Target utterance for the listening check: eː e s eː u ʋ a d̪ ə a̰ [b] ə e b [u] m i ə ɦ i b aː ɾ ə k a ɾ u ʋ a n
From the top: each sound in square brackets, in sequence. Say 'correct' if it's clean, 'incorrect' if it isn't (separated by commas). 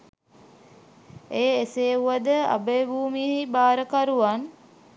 correct, incorrect